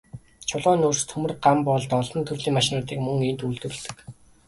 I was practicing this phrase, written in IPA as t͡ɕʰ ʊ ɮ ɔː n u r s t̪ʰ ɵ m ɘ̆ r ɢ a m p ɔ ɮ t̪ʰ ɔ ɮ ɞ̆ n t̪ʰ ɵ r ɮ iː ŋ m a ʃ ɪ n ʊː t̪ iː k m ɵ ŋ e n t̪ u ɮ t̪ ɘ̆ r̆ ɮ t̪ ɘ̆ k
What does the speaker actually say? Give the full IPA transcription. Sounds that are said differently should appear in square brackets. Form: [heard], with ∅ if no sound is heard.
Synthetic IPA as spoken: t͡ɕʰ ʊ ɮ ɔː n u r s t̪ʰ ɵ m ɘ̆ r ɢ a m p ɔ ɮ [t̪] ɔ ɮ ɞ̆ n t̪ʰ ɵ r ɮ iː ŋ m a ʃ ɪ n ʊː t̪ iː k m ɵ ŋ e n t̪ u ɮ t̪ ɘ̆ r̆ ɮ t̪ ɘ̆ k